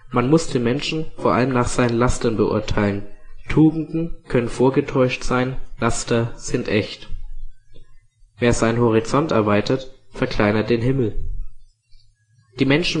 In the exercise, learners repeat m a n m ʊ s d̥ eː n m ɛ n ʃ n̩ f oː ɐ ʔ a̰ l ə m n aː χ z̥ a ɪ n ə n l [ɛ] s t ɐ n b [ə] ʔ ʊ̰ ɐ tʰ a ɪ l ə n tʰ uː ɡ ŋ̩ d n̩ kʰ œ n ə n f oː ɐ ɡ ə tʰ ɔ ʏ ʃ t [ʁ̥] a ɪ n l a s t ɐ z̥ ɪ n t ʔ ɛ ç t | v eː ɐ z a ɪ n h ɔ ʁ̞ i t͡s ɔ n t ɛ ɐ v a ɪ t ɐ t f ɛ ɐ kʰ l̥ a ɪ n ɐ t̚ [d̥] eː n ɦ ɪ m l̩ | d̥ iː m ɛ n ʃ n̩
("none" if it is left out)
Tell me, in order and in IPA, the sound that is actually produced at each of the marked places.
a, ə, z̥, d̥

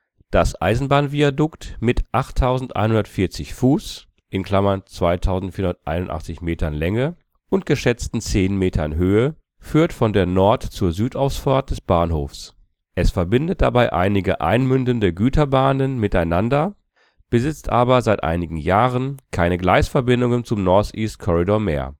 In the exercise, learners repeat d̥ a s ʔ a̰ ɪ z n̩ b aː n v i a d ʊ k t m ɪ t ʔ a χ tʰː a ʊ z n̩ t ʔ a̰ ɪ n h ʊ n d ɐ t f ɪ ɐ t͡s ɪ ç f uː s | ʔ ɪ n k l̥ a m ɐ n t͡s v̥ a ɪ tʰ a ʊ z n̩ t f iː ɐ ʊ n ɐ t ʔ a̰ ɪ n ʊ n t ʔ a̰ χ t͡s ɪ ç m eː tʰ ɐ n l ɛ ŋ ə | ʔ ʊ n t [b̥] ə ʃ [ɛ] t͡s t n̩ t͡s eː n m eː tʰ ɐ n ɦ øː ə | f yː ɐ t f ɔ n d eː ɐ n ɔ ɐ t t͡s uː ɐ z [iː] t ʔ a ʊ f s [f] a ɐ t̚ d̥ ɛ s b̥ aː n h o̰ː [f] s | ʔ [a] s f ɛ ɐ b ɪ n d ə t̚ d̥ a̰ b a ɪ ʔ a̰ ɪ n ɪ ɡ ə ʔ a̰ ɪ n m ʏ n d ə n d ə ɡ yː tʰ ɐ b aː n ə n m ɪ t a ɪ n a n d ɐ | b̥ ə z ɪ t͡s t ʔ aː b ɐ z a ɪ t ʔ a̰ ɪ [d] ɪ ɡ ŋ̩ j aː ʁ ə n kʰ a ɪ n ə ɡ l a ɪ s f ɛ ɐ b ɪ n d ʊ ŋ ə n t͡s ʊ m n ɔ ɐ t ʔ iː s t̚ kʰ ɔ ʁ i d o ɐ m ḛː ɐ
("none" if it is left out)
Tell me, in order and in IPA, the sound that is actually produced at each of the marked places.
ɡ̥, ɛ, yː, f, f, ɛ, n

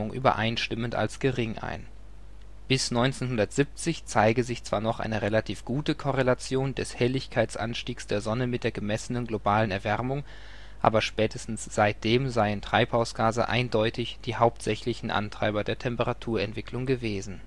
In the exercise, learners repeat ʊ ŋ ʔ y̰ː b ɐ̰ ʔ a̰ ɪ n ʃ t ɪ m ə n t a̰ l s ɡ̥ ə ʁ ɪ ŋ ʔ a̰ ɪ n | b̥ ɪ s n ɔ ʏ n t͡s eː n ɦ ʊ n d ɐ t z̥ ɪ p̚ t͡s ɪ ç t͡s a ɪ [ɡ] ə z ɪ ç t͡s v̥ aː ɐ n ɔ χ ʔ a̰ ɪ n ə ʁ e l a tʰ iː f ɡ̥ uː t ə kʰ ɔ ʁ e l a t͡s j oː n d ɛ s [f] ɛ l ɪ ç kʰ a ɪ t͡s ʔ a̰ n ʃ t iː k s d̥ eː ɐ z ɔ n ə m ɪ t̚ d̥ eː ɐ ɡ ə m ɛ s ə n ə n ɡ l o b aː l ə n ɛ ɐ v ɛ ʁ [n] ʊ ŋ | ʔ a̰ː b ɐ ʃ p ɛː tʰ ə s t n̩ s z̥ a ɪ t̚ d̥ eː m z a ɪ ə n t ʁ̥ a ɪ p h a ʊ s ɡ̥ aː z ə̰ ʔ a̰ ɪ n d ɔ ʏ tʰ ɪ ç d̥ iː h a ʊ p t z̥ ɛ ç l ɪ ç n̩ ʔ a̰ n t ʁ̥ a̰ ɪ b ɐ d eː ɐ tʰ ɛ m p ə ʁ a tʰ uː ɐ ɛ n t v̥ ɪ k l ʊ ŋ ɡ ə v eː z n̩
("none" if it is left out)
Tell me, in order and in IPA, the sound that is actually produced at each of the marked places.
ɡ, h, m

